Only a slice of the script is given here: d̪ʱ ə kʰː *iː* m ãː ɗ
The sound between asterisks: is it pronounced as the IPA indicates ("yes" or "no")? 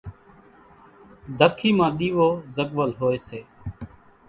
yes